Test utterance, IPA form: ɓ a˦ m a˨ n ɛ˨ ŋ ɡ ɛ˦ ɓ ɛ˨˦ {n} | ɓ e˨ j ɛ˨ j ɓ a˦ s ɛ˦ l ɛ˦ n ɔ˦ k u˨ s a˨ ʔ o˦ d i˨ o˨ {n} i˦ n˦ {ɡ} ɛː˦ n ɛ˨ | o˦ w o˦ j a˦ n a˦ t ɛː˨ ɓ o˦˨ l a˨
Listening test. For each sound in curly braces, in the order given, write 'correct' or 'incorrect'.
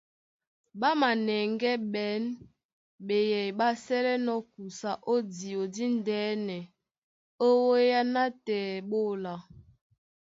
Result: correct, incorrect, incorrect

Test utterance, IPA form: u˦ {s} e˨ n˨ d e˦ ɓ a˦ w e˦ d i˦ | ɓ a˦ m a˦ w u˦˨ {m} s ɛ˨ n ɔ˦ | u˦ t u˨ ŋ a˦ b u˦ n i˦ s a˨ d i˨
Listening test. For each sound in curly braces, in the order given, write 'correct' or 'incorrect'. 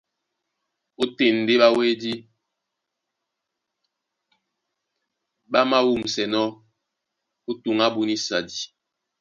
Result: incorrect, correct

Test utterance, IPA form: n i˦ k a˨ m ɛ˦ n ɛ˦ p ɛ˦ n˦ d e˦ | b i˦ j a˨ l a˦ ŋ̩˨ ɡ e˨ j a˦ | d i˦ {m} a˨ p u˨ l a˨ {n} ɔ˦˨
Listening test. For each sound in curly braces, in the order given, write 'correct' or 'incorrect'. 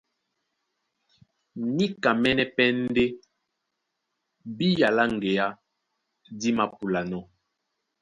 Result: correct, correct

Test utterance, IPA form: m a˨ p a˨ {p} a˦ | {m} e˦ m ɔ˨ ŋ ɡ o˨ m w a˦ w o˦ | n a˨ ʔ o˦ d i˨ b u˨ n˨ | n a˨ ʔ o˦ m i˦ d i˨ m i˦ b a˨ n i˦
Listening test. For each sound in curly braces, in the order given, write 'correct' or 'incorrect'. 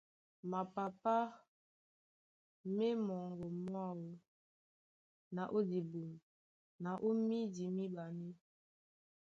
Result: correct, correct

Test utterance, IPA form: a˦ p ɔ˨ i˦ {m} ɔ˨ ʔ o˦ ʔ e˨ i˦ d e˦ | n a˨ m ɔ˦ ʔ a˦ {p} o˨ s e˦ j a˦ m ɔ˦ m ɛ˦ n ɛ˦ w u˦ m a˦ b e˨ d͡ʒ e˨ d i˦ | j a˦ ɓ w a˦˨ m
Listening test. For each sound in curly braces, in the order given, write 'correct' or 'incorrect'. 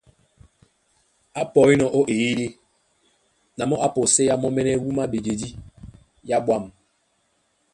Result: incorrect, correct

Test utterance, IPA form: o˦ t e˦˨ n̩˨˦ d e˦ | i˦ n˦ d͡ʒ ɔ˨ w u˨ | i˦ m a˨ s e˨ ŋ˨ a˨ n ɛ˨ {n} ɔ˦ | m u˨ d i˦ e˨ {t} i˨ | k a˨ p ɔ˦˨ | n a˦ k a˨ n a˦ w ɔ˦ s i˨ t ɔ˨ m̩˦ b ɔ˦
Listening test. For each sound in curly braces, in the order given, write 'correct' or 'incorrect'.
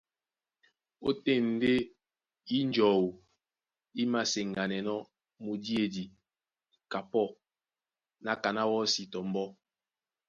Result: correct, incorrect

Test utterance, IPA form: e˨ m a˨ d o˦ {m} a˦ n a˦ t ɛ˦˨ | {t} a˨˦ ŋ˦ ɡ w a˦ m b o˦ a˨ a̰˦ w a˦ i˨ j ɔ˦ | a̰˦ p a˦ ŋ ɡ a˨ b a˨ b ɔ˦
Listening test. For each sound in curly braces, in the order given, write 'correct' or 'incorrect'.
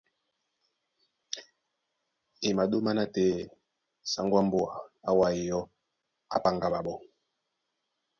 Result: correct, incorrect

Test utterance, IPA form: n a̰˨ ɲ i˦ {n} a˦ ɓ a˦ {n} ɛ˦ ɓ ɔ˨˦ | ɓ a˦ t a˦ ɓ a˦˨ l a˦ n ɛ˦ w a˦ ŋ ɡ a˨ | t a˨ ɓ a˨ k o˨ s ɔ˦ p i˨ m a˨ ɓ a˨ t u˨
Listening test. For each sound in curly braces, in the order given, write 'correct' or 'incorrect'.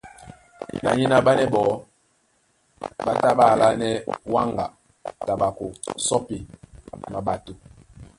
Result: correct, correct

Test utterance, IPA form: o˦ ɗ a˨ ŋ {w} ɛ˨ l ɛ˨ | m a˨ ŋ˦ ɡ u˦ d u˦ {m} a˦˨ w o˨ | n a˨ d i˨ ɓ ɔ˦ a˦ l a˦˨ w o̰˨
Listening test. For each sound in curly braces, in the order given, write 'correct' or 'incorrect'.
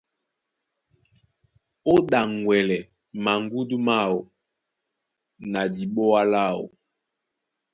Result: correct, correct

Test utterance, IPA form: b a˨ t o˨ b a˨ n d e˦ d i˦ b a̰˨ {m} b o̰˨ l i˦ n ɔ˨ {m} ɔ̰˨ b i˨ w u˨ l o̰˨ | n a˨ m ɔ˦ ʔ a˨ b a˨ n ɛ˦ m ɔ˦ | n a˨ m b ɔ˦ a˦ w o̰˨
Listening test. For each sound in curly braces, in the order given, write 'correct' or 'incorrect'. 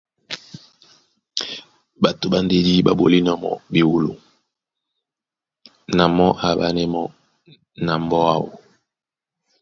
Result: incorrect, correct

